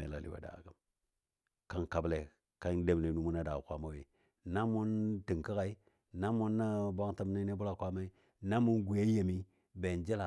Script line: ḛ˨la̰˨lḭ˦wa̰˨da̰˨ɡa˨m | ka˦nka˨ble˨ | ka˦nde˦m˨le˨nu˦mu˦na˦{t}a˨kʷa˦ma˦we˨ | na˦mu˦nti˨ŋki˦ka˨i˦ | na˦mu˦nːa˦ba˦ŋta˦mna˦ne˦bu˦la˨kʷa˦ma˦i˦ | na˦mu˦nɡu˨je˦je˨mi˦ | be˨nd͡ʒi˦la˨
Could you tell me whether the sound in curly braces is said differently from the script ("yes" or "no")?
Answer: yes